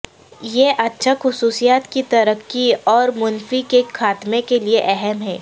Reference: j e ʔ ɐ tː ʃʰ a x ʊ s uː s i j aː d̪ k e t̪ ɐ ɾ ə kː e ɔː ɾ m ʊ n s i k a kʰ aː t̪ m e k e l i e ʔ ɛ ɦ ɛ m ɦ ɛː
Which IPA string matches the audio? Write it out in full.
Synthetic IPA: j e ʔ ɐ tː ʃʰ a x ʊ s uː s i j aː t̪ k i t̪ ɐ ɾ ə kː i ɔː ɾ m ʊ n f i k e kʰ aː t̪ m e k e l i e ʔ ɛ ɦ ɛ m ɦ ɛː